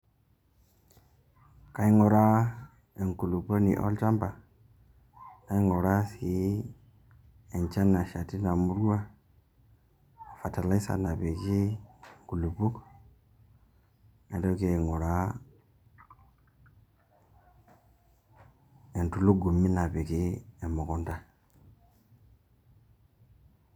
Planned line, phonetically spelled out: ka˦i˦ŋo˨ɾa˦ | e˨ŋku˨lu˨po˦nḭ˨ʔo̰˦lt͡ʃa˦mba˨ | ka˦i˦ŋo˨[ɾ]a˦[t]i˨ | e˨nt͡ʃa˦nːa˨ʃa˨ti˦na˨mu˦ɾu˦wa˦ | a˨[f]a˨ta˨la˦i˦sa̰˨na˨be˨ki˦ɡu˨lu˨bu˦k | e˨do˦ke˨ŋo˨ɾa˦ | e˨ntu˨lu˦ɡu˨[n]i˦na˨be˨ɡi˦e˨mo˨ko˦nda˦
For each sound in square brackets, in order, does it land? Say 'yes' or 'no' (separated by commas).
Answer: yes, no, yes, no